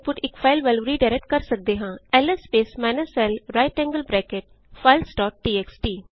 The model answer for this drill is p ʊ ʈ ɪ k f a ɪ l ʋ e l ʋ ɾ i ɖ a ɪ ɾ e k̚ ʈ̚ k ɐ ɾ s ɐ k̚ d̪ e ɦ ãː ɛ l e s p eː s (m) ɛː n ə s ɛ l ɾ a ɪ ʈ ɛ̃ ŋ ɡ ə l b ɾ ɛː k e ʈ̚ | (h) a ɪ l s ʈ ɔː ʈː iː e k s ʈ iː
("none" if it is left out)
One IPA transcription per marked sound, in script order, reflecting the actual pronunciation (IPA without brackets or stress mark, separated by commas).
m, f